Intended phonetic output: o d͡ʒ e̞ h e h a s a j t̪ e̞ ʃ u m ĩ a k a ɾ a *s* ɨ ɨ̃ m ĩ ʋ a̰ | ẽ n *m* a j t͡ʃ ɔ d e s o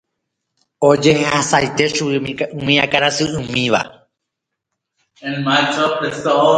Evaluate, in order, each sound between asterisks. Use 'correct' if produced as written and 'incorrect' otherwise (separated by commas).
correct, correct